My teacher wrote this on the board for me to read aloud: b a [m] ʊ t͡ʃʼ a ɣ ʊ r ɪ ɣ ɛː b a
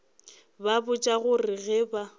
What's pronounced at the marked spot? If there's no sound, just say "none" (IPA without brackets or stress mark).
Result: b